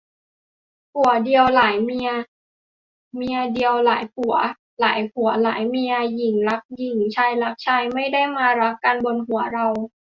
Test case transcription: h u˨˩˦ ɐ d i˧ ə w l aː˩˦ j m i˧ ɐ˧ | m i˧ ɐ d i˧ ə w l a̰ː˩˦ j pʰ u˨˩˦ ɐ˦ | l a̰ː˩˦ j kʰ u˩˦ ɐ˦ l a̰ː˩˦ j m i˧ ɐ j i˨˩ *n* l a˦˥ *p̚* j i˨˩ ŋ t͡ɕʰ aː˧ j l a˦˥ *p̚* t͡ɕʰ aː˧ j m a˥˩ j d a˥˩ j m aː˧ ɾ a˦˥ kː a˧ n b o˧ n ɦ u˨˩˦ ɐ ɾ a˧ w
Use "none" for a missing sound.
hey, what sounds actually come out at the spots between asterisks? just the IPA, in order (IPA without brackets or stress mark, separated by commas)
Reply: ŋ, k̚, k̚